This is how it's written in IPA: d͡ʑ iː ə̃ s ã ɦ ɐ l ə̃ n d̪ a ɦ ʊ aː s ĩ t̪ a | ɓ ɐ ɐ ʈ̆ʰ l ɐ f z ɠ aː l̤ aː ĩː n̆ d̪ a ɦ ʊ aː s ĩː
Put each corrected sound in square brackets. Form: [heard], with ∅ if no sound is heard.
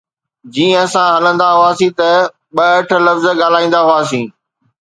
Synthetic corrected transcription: d͡ʑ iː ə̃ s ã ɦ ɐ l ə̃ n d̪ a ɦ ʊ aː s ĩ t̪ [ɐ] | ɓ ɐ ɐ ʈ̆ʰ l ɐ f z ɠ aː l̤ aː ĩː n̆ d̪ a ɦ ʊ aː s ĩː